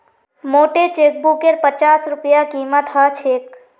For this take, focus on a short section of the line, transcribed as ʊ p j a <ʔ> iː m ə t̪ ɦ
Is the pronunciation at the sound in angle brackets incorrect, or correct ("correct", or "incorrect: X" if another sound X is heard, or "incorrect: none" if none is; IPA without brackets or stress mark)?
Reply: incorrect: k